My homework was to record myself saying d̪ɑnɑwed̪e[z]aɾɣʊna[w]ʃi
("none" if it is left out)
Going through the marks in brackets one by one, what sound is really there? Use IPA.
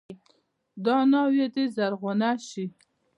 z, none

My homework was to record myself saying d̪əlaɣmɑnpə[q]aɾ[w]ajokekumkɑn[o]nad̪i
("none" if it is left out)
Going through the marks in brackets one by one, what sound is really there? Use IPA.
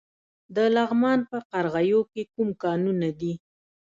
q, ɣ, u

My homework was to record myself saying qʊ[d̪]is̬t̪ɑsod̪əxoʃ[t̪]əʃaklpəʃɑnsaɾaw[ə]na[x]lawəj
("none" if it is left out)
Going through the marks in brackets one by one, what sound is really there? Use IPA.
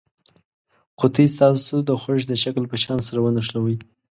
t̪, d̪, ə, ʂ

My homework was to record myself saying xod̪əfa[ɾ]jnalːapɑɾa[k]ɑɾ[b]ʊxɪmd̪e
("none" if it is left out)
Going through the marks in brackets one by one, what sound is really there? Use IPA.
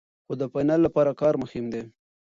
none, k, m

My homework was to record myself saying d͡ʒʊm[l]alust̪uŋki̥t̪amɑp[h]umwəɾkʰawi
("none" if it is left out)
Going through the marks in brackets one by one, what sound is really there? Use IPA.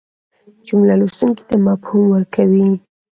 l, h

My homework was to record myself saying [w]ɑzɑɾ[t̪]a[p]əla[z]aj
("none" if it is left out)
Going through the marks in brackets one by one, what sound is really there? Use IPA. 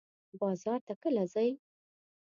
b, t̪, k, z

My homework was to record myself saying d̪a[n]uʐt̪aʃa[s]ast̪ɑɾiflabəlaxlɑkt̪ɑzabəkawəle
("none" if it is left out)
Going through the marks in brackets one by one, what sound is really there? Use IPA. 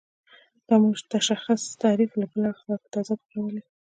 m, x

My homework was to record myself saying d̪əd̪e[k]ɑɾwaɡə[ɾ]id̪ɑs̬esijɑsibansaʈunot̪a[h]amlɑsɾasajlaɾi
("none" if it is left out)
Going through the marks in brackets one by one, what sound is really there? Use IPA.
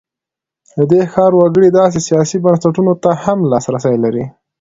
x, ɽ, h

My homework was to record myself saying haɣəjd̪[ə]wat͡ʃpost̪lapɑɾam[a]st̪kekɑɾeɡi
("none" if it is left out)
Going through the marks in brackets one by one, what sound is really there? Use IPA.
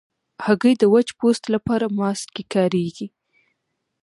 ə, ɑ

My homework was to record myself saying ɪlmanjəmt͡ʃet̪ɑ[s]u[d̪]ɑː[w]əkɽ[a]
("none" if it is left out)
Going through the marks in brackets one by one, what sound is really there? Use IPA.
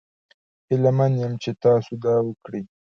s, d̪, w, i

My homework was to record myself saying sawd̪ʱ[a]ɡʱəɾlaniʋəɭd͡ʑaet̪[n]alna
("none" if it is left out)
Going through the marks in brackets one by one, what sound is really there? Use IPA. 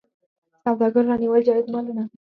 a, m

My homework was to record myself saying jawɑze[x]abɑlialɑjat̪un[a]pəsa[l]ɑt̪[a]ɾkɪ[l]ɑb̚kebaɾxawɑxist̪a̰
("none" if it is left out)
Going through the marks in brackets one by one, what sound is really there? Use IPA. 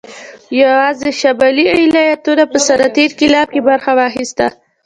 ʃ, a, ɾ, e, l

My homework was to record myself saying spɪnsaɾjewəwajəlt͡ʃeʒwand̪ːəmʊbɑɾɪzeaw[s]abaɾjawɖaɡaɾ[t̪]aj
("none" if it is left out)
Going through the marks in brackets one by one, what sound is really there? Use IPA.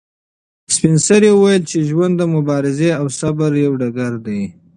s, d̪

